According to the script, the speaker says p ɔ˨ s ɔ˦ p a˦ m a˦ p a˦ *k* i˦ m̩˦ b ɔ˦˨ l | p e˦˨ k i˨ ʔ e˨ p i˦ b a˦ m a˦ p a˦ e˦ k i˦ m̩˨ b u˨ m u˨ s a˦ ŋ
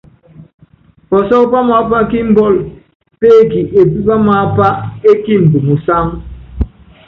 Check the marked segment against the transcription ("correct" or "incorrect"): correct